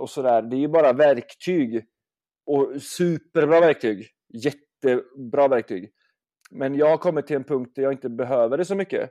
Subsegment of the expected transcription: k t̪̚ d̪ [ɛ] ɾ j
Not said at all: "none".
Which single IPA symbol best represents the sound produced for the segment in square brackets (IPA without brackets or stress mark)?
æ